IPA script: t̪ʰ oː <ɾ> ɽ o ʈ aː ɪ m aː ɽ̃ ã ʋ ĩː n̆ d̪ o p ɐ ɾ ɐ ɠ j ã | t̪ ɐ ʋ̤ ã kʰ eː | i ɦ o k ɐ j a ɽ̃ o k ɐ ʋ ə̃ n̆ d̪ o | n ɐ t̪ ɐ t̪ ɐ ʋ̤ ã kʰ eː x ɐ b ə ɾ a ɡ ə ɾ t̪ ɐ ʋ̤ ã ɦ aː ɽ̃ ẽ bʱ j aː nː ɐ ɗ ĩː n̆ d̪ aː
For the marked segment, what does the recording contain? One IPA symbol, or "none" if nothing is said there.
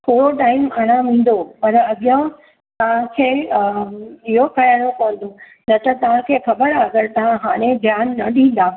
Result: none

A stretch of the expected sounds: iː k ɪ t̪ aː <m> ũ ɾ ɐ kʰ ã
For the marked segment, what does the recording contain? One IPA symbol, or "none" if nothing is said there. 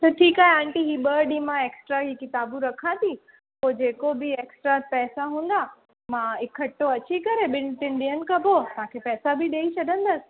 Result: b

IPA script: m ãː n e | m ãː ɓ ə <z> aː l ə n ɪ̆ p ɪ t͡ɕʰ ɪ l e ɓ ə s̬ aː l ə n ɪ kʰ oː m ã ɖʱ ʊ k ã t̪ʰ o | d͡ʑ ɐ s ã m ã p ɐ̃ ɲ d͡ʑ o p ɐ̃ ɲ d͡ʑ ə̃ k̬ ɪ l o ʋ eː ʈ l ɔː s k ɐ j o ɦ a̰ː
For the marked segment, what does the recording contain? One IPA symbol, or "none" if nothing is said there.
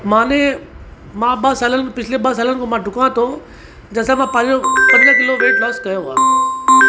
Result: s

